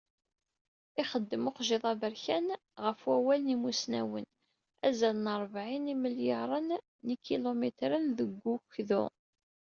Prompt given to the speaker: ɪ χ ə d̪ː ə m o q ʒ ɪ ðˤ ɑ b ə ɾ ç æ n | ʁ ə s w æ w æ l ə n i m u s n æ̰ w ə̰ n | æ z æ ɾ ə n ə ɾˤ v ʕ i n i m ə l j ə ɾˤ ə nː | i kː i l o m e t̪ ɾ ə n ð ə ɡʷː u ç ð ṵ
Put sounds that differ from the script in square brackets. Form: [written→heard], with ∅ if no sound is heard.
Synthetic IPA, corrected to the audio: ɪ χ ə d̪ː ə m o q ʒ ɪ ðˤ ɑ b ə ɾ ç æ n | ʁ ə [s→f] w æ w æ l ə n i m u s n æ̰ w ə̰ n | æ z æ [ɾ→l] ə n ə ɾˤ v ʕ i n i m ə l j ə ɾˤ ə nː | i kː i l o m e t̪ ɾ ə n ð ə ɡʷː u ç ð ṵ

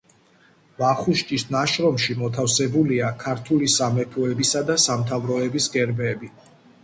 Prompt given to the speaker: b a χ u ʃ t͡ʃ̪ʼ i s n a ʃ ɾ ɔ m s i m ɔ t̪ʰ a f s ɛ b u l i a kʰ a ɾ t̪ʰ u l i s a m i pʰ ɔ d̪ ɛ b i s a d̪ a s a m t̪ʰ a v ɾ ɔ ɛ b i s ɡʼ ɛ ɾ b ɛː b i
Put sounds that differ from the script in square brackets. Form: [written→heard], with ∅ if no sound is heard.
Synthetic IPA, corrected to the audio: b a χ u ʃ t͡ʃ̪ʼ i s n a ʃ ɾ ɔ m [s→ʃ] i m ɔ t̪ʰ a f s ɛ b u l i a kʰ a ɾ t̪ʰ u l i s a m [i→ɛ] pʰ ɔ [d̪→∅] ɛ b i s a d̪ a s a m t̪ʰ a v ɾ ɔ ɛ b i s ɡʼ ɛ ɾ b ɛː b i

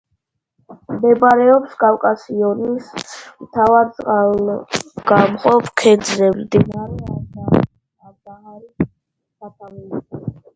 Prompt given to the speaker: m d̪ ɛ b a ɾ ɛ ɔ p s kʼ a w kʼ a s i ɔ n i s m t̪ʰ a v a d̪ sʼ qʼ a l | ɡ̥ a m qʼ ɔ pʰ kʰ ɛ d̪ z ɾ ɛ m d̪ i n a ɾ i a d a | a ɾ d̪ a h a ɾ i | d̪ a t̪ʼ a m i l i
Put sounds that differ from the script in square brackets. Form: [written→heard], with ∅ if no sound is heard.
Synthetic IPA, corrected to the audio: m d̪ ɛ b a ɾ ɛ ɔ p s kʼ a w kʼ a s i ɔ n i s m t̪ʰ a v a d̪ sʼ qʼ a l | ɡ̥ a m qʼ ɔ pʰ kʰ ɛ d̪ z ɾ ɛ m d̪ i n a ɾ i a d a | a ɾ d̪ a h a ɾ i | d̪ a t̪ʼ a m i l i

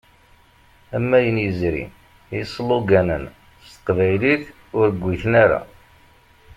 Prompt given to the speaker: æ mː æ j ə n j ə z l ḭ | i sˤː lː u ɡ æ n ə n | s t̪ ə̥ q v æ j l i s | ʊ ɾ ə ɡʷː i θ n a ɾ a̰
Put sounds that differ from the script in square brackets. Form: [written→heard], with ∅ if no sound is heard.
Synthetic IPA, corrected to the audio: æ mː æ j ə n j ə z [l→ɾ] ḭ | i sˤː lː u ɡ æ n ə n | s t̪ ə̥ q v æ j l i [s→θ] | ʊ ɾ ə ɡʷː i θ n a ɾ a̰

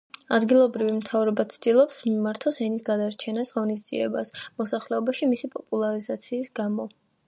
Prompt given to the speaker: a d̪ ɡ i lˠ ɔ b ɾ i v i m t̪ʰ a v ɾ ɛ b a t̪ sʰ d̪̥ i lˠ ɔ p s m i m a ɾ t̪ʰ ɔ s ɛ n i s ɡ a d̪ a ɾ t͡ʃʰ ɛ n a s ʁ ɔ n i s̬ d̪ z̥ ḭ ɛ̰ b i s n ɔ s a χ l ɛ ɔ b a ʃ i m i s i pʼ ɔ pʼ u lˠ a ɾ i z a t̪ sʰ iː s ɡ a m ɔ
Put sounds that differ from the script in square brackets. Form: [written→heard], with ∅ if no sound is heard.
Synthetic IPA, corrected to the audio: a d̪ ɡ i lˠ ɔ b ɾ i v i m t̪ʰ a v ɾ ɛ b a t̪ sʰ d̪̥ i lˠ ɔ p s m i m a ɾ t̪ʰ ɔ s ɛ n i s ɡ a d̪ a ɾ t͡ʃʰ ɛ n a s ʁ ɔ n i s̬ d̪ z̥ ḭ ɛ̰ b [i→a] s [n→m] ɔ s a χ l ɛ ɔ b a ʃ i m i s i pʼ ɔ pʼ u lˠ a ɾ i z a t̪ sʰ iː s ɡ a m ɔ

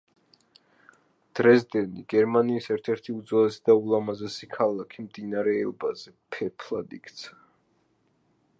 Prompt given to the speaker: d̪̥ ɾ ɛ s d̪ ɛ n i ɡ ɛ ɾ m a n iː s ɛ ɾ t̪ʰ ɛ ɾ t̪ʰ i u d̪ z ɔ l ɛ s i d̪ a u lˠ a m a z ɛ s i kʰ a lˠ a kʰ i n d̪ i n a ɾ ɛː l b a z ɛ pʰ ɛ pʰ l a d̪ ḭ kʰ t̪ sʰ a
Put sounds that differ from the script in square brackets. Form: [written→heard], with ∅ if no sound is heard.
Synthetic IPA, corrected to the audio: d̪̥ ɾ ɛ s d̪ ɛ n i ɡ ɛ ɾ m a n iː s ɛ ɾ t̪ʰ ɛ ɾ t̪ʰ i u d̪ z ɔ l ɛ s i d̪ a u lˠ a m a z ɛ s i kʰ a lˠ a kʰ i [n→m] d̪ i n a ɾ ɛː l b a z ɛ pʰ ɛ pʰ l a d̪ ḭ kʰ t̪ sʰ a

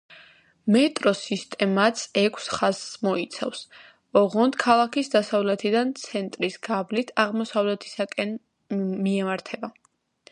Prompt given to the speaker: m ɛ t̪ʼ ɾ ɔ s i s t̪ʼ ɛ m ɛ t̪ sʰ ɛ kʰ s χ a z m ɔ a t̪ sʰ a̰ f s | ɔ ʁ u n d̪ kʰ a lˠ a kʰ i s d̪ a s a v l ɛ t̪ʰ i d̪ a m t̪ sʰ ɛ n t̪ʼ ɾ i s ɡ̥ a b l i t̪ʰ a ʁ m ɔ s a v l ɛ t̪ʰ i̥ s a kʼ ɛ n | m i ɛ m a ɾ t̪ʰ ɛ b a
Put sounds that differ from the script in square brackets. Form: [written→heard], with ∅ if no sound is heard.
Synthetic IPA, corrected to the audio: m ɛ t̪ʼ ɾ ɔ s i s t̪ʼ ɛ m [ɛ→a] t̪ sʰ ɛ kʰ s χ a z m ɔ [a→i] t̪ sʰ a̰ f s | ɔ ʁ [u→ɔ] n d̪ kʰ a lˠ a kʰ i s d̪ a s a v l ɛ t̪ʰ i d̪ a [m→n] t̪ sʰ ɛ n t̪ʼ ɾ i s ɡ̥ a b l i t̪ʰ a ʁ m ɔ s a v l ɛ t̪ʰ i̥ s a kʼ ɛ n | m i ɛ m a ɾ t̪ʰ ɛ b a

